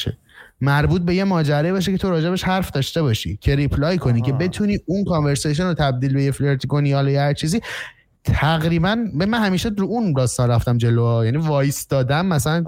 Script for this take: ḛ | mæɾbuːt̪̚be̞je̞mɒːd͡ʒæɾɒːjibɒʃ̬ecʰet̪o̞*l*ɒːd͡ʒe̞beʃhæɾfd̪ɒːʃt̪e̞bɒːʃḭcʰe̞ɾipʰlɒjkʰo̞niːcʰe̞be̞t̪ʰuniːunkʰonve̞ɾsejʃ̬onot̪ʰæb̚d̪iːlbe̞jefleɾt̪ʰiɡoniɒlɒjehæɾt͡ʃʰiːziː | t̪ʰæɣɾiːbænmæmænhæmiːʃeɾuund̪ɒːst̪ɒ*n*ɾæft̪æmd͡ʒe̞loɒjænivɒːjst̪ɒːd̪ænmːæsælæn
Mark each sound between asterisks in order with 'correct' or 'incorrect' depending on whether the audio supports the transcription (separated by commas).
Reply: incorrect, correct